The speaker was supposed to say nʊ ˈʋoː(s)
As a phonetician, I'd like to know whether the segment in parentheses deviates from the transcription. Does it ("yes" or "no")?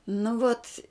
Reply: yes